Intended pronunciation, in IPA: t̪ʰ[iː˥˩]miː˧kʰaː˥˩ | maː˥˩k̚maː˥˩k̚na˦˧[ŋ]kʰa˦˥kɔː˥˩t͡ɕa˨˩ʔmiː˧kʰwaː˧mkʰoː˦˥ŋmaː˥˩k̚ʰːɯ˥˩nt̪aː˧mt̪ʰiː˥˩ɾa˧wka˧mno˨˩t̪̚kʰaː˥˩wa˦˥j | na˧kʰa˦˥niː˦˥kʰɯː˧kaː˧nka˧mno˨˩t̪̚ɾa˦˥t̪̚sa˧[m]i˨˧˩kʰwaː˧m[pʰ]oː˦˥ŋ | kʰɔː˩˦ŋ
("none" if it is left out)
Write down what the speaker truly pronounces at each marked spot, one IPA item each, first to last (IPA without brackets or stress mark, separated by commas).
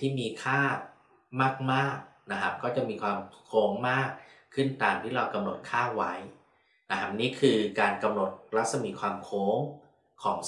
iː˥˩, none, m, kʰ